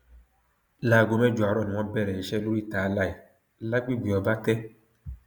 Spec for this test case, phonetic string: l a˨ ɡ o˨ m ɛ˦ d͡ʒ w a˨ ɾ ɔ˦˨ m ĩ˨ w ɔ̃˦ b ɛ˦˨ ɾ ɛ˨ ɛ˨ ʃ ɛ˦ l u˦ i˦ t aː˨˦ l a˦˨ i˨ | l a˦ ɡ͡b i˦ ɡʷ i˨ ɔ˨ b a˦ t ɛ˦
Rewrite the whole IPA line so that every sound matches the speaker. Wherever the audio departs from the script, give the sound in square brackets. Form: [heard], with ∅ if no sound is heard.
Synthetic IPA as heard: l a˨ ɡ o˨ m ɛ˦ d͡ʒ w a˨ ɾ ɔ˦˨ [n] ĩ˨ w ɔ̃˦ b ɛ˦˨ ɾ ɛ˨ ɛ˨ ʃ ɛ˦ l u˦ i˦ t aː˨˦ l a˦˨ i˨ | l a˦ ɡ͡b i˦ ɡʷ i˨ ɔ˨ b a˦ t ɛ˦